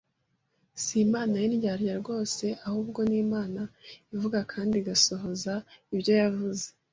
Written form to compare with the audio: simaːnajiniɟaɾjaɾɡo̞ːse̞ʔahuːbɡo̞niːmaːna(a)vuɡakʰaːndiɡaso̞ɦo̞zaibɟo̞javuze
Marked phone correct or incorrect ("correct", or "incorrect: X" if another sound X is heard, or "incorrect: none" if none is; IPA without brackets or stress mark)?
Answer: incorrect: i